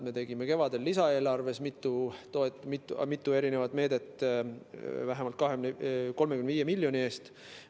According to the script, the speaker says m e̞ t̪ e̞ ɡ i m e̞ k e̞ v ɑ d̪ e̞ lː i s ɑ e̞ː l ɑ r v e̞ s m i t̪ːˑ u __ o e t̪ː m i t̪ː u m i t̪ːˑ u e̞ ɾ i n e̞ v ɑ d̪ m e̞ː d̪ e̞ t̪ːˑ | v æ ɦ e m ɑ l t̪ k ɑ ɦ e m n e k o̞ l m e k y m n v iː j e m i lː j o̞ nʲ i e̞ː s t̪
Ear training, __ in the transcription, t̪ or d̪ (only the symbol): t̪